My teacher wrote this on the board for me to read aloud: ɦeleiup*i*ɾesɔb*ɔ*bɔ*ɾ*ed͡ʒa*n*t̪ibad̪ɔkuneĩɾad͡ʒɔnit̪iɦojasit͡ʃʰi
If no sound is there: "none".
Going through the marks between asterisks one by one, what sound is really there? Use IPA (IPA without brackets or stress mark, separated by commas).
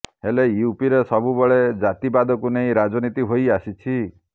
i, u, ɭ, none